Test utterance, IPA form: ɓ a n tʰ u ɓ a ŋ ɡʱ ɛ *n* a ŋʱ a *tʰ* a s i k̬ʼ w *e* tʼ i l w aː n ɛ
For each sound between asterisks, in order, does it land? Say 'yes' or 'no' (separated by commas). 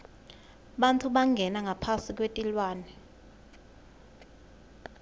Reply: yes, no, yes